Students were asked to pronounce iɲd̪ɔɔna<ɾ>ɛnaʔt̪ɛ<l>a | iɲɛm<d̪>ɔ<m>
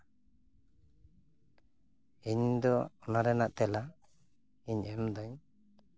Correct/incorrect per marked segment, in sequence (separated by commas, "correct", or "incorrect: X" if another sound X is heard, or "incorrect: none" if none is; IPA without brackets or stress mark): correct, correct, correct, incorrect: ɲ